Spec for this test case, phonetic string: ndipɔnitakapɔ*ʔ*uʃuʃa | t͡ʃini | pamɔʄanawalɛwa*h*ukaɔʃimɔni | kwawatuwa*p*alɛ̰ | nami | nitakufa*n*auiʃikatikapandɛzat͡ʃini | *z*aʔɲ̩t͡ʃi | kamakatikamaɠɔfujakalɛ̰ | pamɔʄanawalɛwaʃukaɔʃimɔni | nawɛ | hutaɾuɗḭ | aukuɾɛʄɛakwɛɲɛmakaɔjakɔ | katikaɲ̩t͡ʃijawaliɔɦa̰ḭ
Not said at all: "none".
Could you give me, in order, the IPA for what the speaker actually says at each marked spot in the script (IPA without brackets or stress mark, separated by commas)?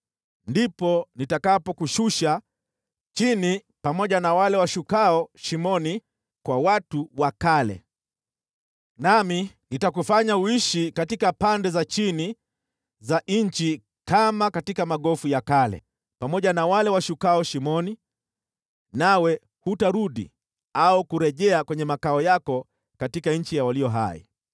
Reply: k, ʃ, k, ɲ, z